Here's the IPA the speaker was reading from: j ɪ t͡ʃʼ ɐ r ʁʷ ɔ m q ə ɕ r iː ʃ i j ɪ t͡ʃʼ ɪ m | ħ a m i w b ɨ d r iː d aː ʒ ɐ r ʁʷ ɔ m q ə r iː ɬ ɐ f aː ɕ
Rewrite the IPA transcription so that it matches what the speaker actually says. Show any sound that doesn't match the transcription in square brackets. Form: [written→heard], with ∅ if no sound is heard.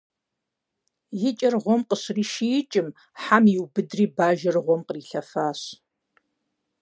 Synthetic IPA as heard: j ɪ t͡ʃʼ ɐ r ʁʷ ɔ m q ə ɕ r iː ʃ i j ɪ t͡ʃʼ ɪ m | ħ a m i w b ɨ d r iː [d→b] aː ʒ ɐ r ʁʷ ɔ m q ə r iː ɬ ɐ f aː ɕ